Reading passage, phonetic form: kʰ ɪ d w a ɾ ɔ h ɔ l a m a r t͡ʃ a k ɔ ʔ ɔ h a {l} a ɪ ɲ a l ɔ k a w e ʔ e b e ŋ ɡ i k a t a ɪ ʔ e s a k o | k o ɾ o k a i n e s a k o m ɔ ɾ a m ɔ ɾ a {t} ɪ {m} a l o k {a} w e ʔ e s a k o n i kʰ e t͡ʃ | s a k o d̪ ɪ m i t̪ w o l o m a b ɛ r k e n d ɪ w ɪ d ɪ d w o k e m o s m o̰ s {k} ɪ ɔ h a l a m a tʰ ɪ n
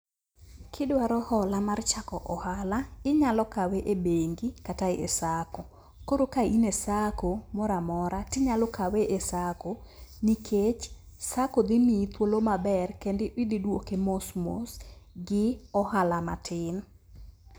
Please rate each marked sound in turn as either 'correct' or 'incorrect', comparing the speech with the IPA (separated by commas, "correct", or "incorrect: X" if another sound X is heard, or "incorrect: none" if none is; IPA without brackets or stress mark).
correct, correct, incorrect: ɲ, correct, incorrect: ɡ